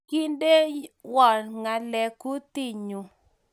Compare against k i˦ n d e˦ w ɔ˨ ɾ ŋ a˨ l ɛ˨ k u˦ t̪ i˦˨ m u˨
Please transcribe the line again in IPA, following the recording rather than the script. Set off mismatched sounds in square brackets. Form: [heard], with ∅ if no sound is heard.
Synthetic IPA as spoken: k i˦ n d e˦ w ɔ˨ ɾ ŋ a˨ l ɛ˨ k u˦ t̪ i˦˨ [ɲ] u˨